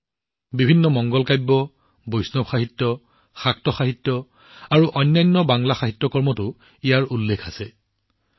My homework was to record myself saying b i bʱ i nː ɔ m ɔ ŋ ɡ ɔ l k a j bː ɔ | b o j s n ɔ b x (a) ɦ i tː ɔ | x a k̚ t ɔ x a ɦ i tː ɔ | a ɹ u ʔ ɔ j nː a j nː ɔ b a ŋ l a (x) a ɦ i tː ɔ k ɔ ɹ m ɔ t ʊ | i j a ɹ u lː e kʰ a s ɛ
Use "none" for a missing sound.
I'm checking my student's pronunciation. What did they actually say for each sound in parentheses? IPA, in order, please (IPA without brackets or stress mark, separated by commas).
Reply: a, x